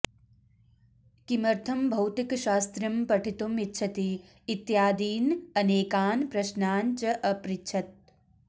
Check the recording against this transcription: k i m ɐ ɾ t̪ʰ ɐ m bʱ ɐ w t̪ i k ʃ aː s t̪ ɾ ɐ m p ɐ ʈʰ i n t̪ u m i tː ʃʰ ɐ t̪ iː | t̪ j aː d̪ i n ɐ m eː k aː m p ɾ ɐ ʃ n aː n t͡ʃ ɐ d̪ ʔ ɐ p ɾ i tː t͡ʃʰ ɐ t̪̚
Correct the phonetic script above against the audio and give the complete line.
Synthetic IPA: k i m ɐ ɾ t̪ʰ ɐ m bʱ ɐ w t̪ i k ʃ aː s t̪ ɾ ɐ m p ɐ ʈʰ i t̪ u m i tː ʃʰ ɐ t̪ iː | t̪ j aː d̪ iː n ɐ n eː k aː n p ɾ ɐ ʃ n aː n t͡ʃ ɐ ʔ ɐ p ɾ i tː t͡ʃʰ ɐ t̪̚